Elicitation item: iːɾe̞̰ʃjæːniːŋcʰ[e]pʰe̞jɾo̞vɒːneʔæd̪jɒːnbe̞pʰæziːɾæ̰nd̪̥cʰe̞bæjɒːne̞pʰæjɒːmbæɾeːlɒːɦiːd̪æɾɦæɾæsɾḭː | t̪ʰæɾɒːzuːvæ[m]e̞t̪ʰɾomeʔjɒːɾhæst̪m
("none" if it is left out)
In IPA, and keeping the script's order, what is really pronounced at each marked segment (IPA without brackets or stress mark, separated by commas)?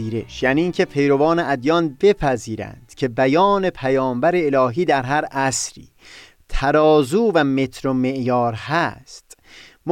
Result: e, m